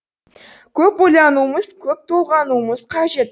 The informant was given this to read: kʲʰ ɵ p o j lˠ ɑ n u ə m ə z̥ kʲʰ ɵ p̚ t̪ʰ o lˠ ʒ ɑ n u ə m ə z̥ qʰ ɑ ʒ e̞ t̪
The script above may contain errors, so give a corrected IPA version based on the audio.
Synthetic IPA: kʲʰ ɵ p o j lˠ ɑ n u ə m ə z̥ kʲʰ ɵ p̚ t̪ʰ o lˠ ʁ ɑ n u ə m ə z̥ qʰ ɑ ʒ e̞ t̪